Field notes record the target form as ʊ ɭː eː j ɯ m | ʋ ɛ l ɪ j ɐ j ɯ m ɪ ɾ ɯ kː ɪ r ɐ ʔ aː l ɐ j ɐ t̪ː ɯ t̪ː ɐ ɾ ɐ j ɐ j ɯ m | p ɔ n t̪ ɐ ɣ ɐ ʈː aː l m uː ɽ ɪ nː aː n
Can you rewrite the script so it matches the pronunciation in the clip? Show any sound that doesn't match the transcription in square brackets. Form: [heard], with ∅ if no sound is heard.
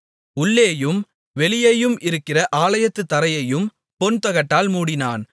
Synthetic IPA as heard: ʊ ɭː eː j ɯ m | ʋ ɛ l ɪ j ɐ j ɯ m ɪ ɾ ɯ kː ɪ r ɐ ʔ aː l ɐ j ɐ t̪ː ɯ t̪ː ɐ ɾ ɐ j ɐ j ɯ m | p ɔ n t̪ ɐ ɣ ɐ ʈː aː l m uː ɽ ɪ [n] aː n